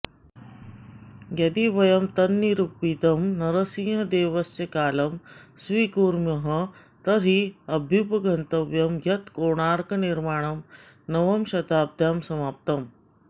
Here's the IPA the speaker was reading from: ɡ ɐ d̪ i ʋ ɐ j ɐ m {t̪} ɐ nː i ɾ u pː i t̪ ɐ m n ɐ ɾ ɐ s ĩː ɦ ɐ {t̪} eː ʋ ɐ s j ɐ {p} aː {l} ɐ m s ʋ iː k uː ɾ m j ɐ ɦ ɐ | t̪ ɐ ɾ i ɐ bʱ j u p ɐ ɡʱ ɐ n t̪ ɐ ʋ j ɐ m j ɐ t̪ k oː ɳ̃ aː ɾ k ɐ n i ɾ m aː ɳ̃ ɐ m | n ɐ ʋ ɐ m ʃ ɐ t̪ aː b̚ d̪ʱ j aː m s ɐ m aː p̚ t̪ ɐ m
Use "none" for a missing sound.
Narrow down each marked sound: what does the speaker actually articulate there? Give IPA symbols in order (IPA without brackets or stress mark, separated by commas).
t̪, d̪, k, l